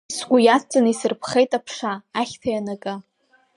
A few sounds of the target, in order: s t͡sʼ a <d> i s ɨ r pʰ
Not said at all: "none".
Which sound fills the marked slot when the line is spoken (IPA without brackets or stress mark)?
n